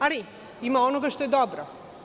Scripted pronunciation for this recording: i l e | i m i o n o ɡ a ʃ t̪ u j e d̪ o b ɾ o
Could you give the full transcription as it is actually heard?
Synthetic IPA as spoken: a l i | i m a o n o ɡ a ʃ t̪ o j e d̪ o b ɾ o

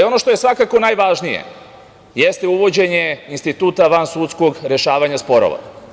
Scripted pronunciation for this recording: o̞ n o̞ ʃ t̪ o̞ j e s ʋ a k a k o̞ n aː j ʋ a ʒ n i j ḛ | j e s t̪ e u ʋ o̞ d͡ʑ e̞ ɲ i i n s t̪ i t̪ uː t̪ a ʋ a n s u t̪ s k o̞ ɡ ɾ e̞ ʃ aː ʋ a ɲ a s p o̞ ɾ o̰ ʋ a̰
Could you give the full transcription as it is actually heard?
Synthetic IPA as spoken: o̞ n o̞ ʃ t̪ o̞ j e s ʋ a k a k o̞ n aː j ʋ a ʒ n i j ḛ | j e s t̪ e u ʋ o̞ d͡ʑ e̞ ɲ e i n s t̪ i t̪ uː t̪ a ʋ a n s u t̪ s k o̞ ɡ ɾ e̞ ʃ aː ʋ a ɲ a s p o̞ ɾ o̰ ʋ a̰

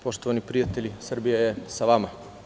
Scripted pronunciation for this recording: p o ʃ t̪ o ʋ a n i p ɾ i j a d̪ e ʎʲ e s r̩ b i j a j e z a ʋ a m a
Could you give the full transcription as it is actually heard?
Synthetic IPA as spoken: p o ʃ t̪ o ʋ a n i p ɾ i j a t̪ e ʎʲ i s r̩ b i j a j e s a ʋ a m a

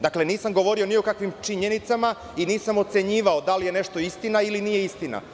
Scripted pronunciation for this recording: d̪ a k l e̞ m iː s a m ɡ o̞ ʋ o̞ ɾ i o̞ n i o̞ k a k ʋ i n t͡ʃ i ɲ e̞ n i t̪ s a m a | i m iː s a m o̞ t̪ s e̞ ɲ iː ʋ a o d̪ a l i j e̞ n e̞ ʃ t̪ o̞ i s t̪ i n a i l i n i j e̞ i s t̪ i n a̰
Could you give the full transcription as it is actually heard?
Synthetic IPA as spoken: d̪ a k l e̞ n iː s a m ɡ o̞ ʋ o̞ ɾ i o̞ n i o̞ k a k ʋ i m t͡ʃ i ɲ e̞ n i t̪ s a m a | i n iː s a m o̞ t̪ s e̞ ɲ iː ʋ a o d̪ a l i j e̞ n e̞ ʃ t̪ o̞ i s t̪ i n a i l i n i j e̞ i s t̪ i n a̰

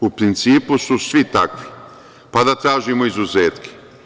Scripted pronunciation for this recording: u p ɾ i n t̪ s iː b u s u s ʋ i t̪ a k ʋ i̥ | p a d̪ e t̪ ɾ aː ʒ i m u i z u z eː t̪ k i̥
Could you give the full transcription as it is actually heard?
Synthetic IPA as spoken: u p ɾ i n t̪ s iː p u s u s ʋ i t̪ a k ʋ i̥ | p a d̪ a t̪ ɾ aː ʒ i m o i z u z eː t̪ k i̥

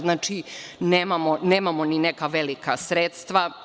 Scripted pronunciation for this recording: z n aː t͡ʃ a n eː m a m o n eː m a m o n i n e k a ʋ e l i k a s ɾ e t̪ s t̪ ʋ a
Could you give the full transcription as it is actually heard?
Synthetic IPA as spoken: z n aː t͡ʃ i n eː m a m o n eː m a m o n i n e k a ʋ e l i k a s ɾ e t̪ s t̪ ʋ a

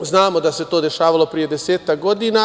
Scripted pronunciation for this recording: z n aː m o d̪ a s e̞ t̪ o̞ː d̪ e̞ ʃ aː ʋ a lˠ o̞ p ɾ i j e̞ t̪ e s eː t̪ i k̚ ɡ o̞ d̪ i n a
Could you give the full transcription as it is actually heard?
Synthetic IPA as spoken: z n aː m o d̪ a s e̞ t̪ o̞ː d̪ e̞ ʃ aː ʋ a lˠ o̞ p ɾ i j e̞ d̪ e s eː t̪ a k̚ ɡ o̞ d̪ i n a

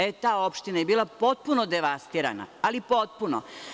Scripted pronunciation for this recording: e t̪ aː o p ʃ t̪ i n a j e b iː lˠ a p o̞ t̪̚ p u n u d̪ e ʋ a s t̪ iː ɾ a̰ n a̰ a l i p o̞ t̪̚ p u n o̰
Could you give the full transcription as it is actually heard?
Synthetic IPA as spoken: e t̪ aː o p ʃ t̪ i n a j e b iː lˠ a p o̞ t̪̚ p u n o d̪ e ʋ a s t̪ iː ɾ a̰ n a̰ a l i p o̞ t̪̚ p u n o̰

